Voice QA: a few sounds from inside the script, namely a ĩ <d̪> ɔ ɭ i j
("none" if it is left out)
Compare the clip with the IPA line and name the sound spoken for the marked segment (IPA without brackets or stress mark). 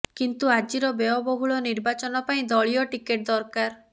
d̪